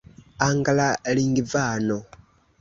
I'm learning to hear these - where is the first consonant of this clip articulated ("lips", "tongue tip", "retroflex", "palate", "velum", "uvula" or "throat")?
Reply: velum